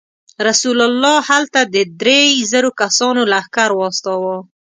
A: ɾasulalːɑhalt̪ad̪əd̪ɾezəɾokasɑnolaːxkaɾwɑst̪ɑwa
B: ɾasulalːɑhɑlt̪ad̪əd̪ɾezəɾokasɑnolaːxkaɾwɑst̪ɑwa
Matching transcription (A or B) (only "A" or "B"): A